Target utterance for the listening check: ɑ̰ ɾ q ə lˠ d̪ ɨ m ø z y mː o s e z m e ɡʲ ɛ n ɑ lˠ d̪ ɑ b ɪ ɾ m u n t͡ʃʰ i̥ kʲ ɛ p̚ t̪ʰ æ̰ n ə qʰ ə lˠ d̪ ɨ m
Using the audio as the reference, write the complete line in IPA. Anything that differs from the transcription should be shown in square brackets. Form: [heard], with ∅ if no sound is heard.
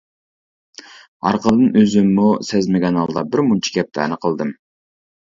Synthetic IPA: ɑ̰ ɾ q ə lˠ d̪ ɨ [n] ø z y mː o s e z m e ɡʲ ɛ n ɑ lˠ d̪ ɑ b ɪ ɾ m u n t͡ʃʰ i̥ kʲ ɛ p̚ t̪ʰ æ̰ n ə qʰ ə lˠ d̪ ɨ m